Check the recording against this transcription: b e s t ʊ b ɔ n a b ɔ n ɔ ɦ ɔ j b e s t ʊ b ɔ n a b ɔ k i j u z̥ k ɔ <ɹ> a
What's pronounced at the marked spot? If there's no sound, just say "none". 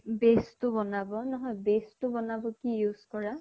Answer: ɹ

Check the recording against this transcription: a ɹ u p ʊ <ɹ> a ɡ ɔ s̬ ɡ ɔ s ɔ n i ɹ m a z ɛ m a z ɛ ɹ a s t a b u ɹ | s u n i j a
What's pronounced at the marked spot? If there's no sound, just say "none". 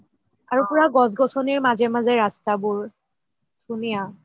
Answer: ɹ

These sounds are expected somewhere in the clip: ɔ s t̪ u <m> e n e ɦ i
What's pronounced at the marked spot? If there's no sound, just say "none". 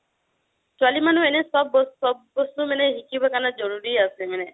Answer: m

